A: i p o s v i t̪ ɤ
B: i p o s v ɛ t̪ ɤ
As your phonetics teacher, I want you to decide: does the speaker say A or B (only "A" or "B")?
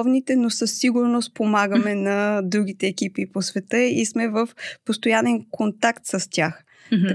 B